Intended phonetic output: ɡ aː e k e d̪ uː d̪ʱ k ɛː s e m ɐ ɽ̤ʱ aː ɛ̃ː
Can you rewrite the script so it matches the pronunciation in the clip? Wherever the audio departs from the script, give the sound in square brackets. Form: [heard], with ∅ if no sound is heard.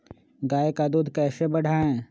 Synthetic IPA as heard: ɡ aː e k [a] d̪ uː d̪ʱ k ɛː s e [b] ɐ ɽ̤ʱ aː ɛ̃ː